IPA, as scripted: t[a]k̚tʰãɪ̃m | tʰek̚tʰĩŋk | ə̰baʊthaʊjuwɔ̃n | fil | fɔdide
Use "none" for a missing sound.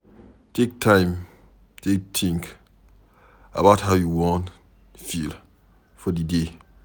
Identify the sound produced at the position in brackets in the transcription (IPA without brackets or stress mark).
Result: e